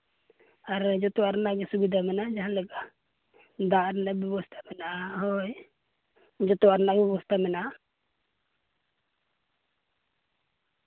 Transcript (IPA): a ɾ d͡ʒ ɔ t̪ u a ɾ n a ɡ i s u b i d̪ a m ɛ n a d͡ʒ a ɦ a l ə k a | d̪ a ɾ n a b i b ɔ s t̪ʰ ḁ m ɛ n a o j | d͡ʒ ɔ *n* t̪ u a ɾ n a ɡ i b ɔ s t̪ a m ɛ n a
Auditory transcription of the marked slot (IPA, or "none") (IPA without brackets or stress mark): none